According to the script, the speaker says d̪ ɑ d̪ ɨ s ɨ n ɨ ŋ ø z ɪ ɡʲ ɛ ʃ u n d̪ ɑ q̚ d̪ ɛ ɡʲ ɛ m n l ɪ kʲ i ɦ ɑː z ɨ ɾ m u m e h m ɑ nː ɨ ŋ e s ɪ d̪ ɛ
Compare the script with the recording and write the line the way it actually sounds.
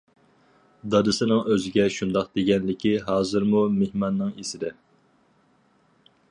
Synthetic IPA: d̪ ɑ d̪ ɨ s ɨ n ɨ ŋ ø z ɪ ɡʲ ɛ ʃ u n d̪ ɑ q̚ d̪ e ɡʲ ɛ n l ɪ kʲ i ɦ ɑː z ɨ ɾ m u m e h m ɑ nː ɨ ŋ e s ɪ d̪ ɛ